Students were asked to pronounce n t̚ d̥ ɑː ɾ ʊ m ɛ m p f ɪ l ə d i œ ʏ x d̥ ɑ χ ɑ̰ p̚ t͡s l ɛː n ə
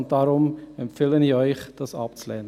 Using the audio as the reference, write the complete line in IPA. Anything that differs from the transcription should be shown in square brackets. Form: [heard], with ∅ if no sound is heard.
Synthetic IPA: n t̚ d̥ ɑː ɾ ʊ m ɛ m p f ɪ l ə [n] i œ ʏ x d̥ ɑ [s] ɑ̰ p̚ t͡s l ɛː n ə